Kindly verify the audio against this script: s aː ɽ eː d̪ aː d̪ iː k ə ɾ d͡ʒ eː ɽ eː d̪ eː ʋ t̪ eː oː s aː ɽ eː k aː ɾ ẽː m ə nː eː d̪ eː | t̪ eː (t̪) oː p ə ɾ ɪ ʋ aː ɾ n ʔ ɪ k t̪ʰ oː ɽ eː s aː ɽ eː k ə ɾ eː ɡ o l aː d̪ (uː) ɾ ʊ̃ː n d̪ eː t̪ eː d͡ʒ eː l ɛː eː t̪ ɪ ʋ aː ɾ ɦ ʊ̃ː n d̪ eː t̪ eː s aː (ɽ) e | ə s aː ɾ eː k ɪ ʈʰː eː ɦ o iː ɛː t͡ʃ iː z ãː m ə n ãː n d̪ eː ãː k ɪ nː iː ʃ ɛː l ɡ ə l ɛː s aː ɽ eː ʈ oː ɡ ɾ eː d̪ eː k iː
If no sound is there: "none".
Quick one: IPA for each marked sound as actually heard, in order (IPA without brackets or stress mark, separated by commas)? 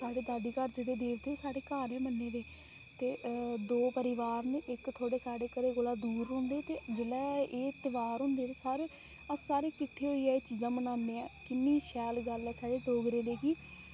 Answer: d̪, uː, ɾ